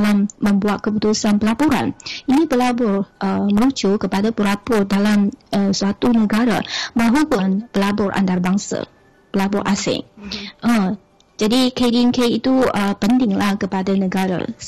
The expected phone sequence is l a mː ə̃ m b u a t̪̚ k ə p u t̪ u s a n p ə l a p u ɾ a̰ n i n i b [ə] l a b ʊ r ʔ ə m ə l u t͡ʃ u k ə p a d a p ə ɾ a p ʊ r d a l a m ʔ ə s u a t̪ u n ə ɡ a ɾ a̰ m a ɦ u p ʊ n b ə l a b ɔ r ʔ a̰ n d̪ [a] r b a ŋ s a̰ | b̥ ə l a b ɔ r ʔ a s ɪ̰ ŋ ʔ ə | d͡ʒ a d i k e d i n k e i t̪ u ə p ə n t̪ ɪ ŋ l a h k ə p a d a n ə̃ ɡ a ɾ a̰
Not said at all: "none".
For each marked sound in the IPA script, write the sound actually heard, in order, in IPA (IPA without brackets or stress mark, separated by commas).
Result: ə, a